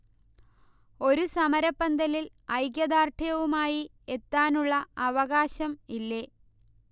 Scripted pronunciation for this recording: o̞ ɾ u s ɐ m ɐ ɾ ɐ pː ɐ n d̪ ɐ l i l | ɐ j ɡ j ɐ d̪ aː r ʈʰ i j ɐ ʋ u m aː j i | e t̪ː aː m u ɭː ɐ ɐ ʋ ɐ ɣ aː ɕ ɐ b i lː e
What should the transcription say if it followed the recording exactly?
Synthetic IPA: o̞ ɾ u s ɐ m ɐ ɾ ɐ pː ɐ n d̪ ɐ l i l | ɐ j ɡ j ɐ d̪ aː r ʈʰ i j ɐ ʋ u m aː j i | e t̪ː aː n u ɭː ɐ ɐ ʋ ɐ ɣ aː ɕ ɐ m i lː e